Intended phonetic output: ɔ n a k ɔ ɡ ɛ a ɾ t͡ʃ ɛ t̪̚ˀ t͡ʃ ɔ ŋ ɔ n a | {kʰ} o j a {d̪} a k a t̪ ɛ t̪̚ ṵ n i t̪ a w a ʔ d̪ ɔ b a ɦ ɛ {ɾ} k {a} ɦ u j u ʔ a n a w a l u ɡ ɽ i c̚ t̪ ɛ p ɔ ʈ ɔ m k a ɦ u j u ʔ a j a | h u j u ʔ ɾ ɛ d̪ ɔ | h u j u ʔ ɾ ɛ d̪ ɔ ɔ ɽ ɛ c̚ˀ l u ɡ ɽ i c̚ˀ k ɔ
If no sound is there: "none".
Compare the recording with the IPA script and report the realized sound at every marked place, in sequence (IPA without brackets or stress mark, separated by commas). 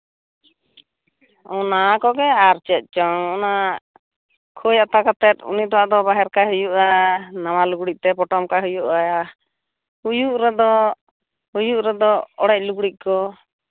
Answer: kʰ, t̪, ɾ, a